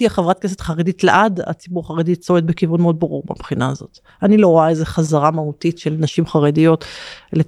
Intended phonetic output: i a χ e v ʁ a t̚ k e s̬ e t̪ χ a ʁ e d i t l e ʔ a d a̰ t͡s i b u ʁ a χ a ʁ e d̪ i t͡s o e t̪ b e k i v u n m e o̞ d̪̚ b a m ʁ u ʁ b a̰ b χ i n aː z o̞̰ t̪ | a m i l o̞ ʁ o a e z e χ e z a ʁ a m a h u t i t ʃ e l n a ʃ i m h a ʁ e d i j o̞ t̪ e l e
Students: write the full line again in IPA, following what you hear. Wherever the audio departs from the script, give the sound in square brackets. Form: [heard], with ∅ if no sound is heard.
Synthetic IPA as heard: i a χ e v ʁ a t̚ k e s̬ e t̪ χ a ʁ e d i t l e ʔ a d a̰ t͡s i b u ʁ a χ a ʁ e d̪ i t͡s o e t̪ b e k i v u n m e o̞ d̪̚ b a [∅] ʁ u ʁ b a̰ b χ i n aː z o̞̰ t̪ | a [n] i l o̞ ʁ o a e z e χ [a] z a ʁ a m a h u t i t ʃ e l n a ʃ i m [χ] a ʁ e d i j o̞ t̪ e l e